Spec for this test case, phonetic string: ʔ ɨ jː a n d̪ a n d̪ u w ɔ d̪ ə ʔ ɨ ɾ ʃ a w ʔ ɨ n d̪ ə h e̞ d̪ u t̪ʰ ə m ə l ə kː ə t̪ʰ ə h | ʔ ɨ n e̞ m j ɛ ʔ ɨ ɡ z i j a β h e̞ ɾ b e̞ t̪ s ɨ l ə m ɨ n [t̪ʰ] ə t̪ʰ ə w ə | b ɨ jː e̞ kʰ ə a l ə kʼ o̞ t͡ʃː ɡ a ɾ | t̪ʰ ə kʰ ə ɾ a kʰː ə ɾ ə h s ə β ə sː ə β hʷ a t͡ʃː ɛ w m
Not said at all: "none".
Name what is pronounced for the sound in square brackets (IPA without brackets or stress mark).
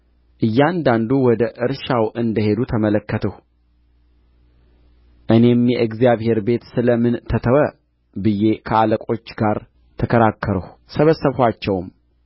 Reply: t̪ʰ